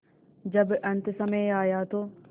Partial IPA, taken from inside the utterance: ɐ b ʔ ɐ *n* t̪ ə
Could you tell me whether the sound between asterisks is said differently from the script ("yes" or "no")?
no